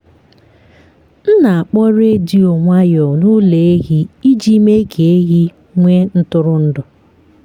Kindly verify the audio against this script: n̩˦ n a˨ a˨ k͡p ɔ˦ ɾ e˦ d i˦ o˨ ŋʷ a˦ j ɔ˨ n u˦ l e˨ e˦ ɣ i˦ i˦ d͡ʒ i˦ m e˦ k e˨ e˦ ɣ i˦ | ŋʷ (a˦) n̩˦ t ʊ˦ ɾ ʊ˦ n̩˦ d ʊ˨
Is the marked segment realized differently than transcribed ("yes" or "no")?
yes